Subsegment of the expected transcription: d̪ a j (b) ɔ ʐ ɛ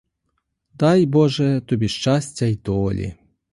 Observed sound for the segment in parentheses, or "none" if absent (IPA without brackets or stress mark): b